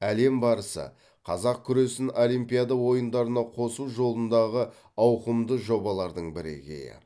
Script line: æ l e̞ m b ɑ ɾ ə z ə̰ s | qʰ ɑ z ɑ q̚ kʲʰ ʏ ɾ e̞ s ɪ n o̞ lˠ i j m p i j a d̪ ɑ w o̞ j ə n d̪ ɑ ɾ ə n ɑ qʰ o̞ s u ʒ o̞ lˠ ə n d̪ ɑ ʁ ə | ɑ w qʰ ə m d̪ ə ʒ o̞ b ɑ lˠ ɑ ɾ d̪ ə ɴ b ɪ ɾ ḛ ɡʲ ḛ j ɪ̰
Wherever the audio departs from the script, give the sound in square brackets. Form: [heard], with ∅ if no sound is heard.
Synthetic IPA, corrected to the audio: æ l e̞ m b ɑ ɾ ə [s] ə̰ [∅] | qʰ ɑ z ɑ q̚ kʲʰ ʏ ɾ e̞ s ɪ n o̞ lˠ i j m p i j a d̪ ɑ w o̞ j ə n d̪ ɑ ɾ ə n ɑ qʰ o̞ s u ʒ o̞ lˠ ə n d̪ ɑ ʁ ə | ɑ w [q] ə m d̪ ə ʒ o̞ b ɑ lˠ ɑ ɾ d̪ ə ɴ b ɪ ɾ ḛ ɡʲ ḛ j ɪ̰